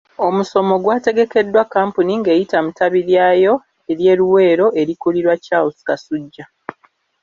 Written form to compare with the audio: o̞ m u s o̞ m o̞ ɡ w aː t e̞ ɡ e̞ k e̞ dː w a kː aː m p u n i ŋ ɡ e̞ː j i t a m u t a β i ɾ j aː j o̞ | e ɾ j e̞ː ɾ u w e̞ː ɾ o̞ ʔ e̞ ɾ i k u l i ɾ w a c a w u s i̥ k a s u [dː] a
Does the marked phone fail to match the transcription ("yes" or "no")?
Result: yes